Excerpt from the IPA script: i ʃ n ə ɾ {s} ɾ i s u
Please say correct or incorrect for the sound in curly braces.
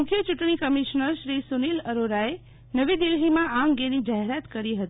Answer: incorrect